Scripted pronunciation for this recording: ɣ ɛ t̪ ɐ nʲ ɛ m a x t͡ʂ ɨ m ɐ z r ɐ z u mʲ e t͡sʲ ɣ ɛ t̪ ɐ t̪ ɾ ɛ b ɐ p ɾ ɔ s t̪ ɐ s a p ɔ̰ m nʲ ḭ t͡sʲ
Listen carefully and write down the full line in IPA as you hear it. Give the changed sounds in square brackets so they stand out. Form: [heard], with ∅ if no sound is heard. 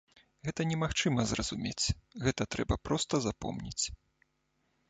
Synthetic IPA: ɣ ɛ t̪ ɐ nʲ ɛ m a x t͡ʂ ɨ m ɐ z r ɐ z u mʲ e t͡sʲ ɣ ɛ t̪ ɐ t̪ ɾ ɛ b ɐ p ɾ ɔ s t̪ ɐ [z] a p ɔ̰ m nʲ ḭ t͡sʲ